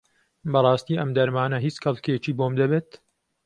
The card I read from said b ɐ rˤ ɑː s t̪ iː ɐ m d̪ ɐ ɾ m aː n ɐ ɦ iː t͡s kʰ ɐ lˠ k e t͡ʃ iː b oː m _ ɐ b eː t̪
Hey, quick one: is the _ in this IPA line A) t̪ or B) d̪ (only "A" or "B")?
B